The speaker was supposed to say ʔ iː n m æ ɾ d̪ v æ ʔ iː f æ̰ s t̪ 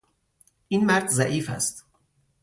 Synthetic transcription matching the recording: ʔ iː n m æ ɾ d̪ z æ ʔ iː f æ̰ s t̪

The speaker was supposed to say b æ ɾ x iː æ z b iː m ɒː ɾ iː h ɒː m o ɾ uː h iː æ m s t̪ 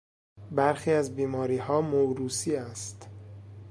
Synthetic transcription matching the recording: b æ ɾ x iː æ z b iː m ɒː ɾ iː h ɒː m o ɾ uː s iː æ s t̪

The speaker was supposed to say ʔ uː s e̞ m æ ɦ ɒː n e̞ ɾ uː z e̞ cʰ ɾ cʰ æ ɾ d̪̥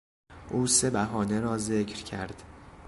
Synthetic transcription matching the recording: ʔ uː s e̞ b æ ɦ ɒː n e̞ ɾ ɒː z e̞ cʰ ɾ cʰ æ ɾ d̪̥

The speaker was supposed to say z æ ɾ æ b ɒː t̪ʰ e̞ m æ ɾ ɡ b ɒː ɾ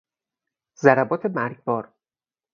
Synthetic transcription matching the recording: z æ ɾ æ b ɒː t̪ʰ e̞ m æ ɾ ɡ b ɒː ɾ

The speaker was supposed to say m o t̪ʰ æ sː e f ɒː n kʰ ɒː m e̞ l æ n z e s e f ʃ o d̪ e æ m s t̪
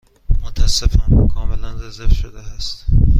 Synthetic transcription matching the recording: m o t̪ʰ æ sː e f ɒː n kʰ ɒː m e̞ l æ n z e z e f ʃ o d̪ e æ s t̪

